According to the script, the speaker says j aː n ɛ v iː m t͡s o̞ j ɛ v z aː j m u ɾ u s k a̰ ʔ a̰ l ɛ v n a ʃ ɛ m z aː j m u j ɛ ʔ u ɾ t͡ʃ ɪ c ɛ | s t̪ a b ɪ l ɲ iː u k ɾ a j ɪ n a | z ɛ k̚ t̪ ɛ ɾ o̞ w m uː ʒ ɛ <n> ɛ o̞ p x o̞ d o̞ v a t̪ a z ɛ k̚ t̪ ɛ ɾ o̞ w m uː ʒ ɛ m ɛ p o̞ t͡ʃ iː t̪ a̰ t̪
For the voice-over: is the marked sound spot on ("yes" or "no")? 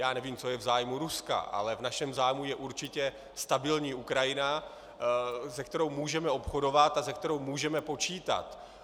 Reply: no